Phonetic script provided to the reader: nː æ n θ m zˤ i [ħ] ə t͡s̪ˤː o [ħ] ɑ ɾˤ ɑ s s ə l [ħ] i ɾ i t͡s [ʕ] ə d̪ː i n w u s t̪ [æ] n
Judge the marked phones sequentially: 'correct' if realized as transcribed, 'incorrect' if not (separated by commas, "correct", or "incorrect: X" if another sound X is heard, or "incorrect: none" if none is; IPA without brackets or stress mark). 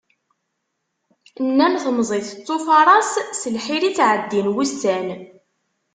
incorrect: θ, incorrect: f, correct, correct, correct